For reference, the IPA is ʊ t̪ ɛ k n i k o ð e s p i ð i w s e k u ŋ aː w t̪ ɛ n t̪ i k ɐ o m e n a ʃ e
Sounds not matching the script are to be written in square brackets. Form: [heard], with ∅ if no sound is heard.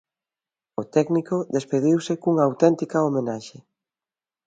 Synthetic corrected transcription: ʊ t̪ ɛ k n i k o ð e s p [e] ð i w s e k u ŋ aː w t̪ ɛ n t̪ i k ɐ o m e n a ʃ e